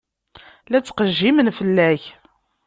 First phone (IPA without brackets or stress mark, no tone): l